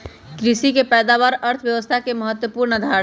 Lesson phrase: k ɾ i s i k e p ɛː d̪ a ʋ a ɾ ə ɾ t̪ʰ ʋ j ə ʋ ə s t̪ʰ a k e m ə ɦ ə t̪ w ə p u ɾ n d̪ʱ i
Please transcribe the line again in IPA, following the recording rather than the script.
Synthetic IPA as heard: k ɾ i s i k e p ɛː d̪ a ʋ a ɾ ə ɾ t̪ʰ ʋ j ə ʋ ə s t̪ʰ a k e m ə ɦ ə t̪ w ə p u ɾ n d̪ʱ a